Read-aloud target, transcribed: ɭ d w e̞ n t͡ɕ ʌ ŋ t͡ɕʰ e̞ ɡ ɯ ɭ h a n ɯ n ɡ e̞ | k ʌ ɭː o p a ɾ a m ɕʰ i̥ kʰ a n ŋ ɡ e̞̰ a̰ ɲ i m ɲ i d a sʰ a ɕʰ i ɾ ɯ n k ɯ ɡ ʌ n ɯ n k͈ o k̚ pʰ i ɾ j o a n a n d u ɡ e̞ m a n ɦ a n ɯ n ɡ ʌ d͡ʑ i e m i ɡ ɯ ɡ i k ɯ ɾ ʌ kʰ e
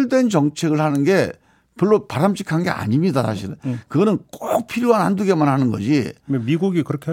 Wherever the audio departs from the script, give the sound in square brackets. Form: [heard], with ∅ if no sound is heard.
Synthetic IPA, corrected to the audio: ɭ d w e̞ n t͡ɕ ʌ ŋ t͡ɕʰ e̞ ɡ ɯ ɭ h a n ɯ n ɡ e̞ | [p] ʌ ɭː o p a ɾ a m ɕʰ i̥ kʰ a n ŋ ɡ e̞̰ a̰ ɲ i m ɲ i d a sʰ a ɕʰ i ɾ ɯ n k ɯ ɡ ʌ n ɯ n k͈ o k̚ pʰ i ɾ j o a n a n d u ɡ e̞ m a n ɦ a n ɯ n ɡ ʌ d͡ʑ i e m i ɡ [u] ɡ i k ɯ ɾ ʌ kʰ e